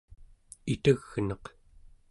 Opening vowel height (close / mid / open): close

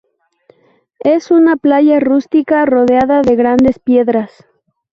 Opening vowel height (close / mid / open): mid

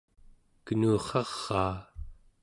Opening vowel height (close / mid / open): mid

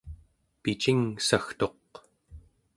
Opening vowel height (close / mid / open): close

